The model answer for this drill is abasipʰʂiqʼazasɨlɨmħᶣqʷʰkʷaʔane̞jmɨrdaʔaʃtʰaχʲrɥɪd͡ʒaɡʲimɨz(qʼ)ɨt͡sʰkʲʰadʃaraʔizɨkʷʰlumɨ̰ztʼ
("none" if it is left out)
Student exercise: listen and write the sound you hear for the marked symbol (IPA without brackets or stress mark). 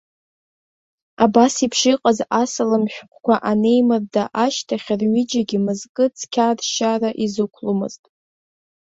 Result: kʼ